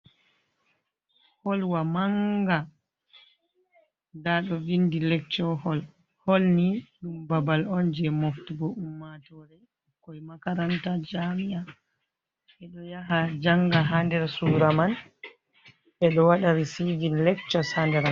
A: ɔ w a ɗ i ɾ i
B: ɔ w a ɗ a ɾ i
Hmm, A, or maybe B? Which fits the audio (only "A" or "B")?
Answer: B